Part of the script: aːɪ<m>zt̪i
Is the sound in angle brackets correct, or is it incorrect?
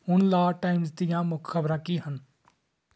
correct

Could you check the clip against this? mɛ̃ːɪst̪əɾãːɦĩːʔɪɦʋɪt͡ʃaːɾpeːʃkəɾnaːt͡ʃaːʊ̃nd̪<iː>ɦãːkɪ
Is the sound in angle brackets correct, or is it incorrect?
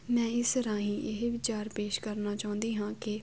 correct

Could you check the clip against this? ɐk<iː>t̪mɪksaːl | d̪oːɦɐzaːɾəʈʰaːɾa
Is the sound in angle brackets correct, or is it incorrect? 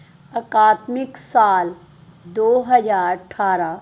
incorrect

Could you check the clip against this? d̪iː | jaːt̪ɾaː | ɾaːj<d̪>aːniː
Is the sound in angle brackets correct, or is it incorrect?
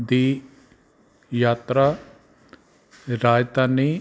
incorrect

